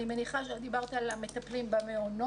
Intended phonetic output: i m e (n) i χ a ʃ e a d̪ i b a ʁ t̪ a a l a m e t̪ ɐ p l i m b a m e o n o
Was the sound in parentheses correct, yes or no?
yes